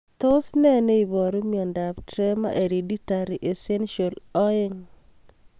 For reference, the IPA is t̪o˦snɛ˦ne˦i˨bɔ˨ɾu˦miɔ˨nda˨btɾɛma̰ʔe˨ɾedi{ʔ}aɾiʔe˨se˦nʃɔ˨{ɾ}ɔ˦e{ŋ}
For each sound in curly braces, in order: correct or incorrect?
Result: incorrect: t, incorrect: l, correct

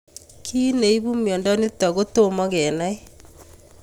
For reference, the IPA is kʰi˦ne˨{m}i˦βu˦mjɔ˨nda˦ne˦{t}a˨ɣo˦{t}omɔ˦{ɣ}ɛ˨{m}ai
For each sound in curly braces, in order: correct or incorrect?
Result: incorrect: none, correct, correct, correct, incorrect: n

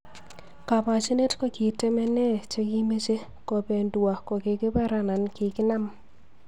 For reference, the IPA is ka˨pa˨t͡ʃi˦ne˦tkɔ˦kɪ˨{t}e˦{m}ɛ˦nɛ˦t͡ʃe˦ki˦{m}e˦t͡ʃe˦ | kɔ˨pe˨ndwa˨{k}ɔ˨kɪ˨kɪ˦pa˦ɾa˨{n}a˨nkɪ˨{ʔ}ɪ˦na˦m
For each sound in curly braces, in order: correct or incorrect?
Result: correct, correct, correct, correct, correct, incorrect: k

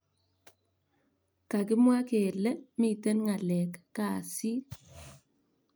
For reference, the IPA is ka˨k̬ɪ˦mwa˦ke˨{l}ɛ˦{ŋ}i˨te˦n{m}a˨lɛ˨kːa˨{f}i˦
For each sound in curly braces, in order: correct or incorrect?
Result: correct, incorrect: m, incorrect: ŋ, incorrect: s

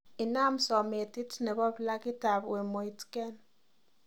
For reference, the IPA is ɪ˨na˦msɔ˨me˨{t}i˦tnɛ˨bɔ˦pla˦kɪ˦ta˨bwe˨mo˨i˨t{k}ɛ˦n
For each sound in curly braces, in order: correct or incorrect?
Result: correct, correct

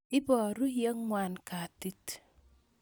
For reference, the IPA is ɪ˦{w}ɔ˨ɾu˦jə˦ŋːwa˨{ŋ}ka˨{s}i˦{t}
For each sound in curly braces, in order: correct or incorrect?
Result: incorrect: b, incorrect: n, incorrect: t, correct

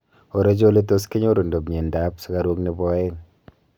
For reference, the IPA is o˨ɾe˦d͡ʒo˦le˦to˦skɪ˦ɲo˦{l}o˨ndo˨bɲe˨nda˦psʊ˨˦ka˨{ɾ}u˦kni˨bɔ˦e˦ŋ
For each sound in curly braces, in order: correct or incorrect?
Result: incorrect: ɾ, correct

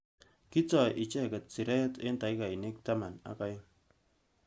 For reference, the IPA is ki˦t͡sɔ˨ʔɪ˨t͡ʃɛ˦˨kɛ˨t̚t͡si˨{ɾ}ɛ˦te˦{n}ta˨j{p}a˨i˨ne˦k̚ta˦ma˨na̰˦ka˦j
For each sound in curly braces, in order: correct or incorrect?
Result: correct, correct, incorrect: k

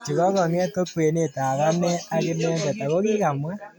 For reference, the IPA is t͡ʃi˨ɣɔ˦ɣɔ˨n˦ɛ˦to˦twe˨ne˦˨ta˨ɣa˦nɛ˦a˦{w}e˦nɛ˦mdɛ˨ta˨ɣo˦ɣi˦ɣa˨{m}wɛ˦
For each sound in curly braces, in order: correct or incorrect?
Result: incorrect: ɣ, correct

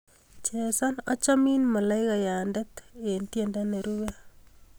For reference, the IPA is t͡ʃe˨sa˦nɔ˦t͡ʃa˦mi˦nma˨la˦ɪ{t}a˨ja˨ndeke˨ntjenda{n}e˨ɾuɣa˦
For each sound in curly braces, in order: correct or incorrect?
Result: incorrect: k, correct

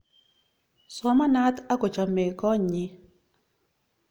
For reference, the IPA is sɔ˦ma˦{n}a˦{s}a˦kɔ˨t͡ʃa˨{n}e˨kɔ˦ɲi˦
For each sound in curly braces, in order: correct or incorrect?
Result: correct, incorrect: t, incorrect: m

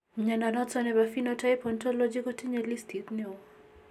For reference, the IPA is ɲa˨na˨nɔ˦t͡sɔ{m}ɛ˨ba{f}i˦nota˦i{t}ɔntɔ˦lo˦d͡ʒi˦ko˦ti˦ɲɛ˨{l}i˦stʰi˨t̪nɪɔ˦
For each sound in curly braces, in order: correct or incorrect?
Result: incorrect: n, correct, incorrect: p, correct

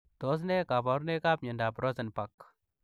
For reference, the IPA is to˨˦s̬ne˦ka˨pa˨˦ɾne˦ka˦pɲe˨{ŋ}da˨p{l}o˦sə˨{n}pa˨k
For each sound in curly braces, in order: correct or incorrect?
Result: incorrect: n, incorrect: ɾ, correct

